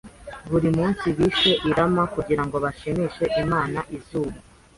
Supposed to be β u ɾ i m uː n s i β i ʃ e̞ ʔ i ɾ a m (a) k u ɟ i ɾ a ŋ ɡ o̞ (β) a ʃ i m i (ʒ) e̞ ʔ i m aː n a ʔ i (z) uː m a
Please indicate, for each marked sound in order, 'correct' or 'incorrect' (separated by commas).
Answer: correct, correct, incorrect, correct